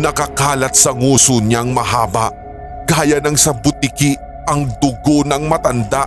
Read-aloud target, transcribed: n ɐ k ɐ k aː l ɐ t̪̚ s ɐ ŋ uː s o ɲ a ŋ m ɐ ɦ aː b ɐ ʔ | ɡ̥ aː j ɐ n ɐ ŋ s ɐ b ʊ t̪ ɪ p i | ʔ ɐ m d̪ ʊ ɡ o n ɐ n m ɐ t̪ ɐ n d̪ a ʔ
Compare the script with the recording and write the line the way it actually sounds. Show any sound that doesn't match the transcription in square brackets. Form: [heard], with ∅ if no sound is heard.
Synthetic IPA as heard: n ɐ k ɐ k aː l ɐ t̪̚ s ɐ ŋ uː s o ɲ a ŋ m ɐ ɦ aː b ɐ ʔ | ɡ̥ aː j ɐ n ɐ ŋ s ɐ b ʊ t̪ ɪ [k] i | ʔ ɐ [ŋ] d̪ ʊ ɡ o n ɐ [ŋ] m ɐ t̪ ɐ n d̪ a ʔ